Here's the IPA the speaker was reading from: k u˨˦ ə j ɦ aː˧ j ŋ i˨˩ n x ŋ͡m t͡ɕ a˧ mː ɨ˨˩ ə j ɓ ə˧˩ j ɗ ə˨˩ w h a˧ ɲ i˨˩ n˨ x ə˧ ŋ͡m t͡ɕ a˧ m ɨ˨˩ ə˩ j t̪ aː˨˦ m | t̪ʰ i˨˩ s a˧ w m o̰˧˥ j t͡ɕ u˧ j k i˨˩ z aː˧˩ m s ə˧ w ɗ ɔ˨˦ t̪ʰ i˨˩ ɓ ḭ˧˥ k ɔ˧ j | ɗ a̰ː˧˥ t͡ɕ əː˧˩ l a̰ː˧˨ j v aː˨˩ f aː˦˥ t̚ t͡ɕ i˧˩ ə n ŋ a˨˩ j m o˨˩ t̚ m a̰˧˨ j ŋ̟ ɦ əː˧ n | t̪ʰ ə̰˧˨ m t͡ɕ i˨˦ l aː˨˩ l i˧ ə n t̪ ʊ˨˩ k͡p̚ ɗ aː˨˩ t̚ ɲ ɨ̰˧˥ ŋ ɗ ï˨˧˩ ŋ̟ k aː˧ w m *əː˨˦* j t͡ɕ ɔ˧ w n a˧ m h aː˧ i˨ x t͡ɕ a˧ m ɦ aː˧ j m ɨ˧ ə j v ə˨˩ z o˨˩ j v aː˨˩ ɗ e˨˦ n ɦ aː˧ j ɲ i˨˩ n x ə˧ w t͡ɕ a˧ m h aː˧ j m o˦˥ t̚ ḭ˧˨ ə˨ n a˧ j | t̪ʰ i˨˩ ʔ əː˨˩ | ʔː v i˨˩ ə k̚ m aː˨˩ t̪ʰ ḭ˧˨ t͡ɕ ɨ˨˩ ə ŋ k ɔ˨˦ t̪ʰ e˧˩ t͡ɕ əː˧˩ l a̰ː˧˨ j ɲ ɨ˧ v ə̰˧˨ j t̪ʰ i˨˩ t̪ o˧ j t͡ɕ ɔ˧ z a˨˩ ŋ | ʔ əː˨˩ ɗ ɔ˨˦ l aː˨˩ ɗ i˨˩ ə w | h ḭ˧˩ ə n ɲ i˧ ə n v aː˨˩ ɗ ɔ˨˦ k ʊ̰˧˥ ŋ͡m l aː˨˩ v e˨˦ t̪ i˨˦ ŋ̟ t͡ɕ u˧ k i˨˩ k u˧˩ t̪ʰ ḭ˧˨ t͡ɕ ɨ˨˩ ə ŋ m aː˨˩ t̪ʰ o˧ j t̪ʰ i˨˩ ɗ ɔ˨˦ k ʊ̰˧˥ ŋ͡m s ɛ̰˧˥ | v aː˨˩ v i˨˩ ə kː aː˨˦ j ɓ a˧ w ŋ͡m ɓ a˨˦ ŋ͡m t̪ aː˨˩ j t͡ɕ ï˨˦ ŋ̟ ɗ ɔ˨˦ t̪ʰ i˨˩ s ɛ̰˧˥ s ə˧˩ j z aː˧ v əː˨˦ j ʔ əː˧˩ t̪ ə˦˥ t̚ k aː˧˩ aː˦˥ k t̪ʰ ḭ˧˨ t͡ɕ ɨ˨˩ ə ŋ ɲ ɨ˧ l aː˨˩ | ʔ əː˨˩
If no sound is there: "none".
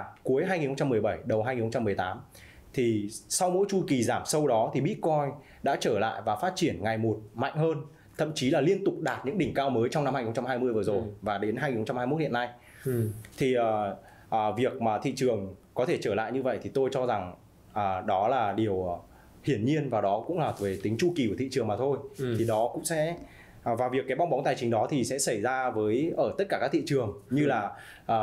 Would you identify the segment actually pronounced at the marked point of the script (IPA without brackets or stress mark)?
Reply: əː˨˦